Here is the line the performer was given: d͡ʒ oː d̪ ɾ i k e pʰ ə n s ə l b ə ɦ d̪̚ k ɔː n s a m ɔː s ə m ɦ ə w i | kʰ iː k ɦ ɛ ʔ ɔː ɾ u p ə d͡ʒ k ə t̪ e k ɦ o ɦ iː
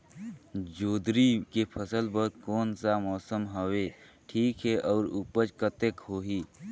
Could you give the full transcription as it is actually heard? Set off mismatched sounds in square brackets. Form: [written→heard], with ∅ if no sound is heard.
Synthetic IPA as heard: d͡ʒ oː d̪ ɾ i k e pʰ ə [n→∅] s ə l b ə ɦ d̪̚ k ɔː n s a m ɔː s ə m ɦ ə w [i→e] | [kʰ→ʈʰ] iː k ɦ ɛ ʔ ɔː ɾ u p ə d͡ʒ k ə t̪ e k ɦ o ɦ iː